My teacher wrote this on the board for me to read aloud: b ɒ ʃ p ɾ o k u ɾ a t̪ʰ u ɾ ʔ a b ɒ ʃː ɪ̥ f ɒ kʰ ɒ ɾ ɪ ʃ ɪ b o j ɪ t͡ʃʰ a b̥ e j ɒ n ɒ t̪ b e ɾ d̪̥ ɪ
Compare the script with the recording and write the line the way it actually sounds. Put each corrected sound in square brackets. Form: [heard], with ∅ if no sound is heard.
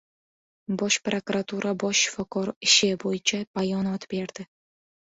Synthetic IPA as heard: b ɒ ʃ p ɾ o k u ɾ a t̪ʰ u ɾ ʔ a b ɒ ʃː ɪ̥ f ɒ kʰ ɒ ɾ ɪ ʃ ɪ b o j ɪ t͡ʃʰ a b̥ [a] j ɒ n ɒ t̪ b e ɾ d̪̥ ɪ